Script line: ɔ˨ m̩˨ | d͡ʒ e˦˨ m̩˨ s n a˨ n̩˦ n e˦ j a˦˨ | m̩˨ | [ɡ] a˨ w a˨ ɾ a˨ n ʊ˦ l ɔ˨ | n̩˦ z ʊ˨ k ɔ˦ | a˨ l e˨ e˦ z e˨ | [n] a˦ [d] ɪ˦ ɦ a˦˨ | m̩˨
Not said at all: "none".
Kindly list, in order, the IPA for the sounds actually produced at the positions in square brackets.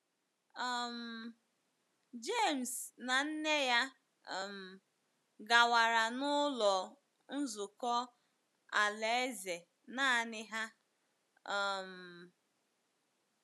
ɡ, n, n

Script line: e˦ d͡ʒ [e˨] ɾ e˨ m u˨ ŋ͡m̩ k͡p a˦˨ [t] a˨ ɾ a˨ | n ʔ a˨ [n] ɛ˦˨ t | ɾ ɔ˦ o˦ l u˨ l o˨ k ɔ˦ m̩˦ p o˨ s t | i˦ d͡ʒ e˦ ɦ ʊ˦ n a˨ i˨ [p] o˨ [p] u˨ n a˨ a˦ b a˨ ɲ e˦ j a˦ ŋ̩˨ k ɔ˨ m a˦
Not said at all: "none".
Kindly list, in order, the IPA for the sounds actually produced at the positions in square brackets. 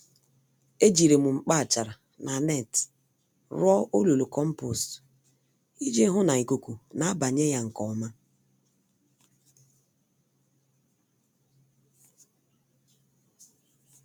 i˨, t͡ʃ, n, k, k

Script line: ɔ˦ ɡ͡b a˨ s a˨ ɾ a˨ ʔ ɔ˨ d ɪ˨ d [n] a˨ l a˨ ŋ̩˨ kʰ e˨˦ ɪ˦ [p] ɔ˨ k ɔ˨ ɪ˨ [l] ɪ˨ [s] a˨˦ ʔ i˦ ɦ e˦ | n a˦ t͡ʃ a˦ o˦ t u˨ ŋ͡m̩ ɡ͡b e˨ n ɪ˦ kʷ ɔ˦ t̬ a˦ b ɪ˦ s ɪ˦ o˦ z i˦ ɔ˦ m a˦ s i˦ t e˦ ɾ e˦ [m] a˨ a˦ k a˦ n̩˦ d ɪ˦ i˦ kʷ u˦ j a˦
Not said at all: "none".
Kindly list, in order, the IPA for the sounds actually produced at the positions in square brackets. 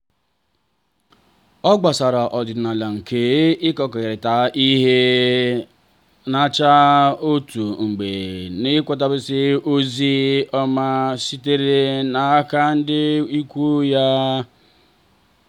n, k, ɾ, t, n

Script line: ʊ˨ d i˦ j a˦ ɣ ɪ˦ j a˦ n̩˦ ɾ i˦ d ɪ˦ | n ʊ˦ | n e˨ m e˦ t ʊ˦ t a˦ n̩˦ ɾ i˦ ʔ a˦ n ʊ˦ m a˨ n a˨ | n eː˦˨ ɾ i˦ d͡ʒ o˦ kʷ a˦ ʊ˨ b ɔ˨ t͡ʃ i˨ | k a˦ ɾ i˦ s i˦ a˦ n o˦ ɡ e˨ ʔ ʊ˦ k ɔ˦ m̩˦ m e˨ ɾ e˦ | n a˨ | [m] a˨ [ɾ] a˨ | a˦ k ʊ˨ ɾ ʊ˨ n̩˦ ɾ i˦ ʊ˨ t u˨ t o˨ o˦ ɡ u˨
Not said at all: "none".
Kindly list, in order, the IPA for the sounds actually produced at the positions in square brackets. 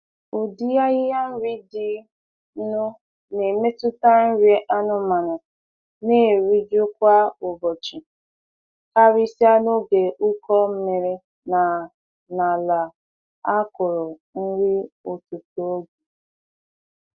n, l

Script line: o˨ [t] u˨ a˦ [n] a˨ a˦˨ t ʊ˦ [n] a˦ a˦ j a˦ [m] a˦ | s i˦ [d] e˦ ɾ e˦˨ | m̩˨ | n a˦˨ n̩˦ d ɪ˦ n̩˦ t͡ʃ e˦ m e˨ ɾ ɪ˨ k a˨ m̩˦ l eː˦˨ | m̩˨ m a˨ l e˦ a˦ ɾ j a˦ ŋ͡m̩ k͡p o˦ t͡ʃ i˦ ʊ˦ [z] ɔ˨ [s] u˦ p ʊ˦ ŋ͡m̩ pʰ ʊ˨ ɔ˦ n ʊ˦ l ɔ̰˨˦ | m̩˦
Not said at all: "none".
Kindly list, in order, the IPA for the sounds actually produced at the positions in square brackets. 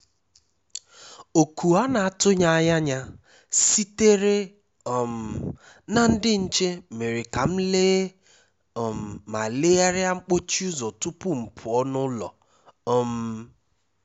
k, n, ɲ, ɲ, t, z, t

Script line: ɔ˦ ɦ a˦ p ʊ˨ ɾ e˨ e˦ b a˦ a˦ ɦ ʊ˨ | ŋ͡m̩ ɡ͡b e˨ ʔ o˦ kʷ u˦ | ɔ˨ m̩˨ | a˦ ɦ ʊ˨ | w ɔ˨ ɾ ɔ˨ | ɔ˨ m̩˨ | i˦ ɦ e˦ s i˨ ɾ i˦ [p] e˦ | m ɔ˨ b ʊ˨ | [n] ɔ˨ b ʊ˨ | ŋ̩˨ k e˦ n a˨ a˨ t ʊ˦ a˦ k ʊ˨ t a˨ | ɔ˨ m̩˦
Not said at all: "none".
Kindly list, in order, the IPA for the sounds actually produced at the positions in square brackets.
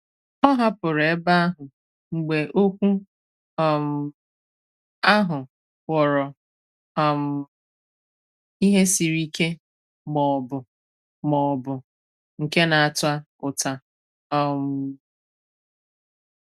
k, m

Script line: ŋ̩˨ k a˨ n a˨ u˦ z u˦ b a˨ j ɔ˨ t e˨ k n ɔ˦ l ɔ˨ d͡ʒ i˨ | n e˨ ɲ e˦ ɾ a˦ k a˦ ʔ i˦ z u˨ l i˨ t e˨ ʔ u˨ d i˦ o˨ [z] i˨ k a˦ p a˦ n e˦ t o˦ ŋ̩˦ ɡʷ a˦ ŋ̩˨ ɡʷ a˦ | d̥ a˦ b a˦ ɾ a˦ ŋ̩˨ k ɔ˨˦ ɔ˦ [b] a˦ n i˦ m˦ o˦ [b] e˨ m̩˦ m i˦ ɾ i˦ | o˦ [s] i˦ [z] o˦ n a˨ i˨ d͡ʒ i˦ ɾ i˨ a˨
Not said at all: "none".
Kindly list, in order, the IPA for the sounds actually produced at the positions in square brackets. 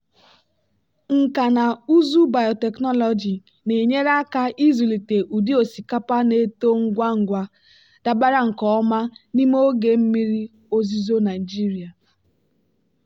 s, m, ɡ, z, z

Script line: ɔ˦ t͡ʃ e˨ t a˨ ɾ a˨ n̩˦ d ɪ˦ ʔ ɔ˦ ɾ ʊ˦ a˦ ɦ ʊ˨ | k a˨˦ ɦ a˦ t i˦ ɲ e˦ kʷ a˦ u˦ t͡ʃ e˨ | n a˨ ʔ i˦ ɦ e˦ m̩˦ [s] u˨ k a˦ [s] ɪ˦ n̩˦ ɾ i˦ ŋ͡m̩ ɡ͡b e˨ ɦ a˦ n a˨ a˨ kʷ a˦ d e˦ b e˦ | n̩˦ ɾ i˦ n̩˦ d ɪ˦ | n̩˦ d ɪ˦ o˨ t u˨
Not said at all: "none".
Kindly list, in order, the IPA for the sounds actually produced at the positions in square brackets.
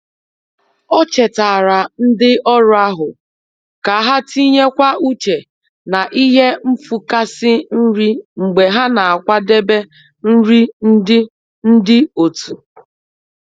f, s

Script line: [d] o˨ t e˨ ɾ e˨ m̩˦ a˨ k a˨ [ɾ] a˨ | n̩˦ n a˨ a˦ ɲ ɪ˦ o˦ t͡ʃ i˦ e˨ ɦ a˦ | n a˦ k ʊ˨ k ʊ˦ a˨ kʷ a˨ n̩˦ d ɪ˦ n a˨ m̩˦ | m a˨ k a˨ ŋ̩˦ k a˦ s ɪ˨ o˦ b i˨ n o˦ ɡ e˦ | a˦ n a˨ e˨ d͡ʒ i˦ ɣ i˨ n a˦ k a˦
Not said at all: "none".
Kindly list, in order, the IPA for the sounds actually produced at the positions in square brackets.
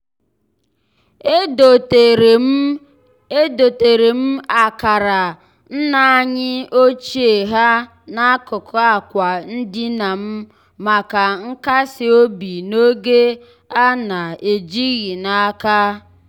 d, ɾ

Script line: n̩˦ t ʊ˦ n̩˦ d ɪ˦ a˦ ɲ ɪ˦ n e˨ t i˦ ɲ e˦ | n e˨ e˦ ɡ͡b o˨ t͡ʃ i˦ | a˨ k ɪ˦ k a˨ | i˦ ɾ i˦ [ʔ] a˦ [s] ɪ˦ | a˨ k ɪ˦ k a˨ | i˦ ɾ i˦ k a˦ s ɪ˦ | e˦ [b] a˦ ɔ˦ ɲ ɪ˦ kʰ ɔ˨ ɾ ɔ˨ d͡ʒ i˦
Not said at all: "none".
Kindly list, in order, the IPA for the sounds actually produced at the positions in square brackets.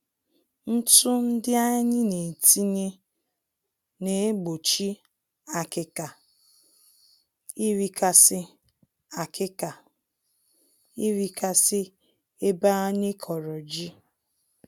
k, s, b

